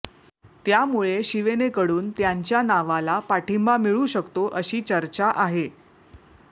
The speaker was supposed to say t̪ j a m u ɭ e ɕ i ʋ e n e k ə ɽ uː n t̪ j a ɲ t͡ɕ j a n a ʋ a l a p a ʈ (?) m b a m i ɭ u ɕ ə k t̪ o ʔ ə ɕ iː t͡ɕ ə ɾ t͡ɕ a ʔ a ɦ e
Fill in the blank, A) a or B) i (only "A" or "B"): B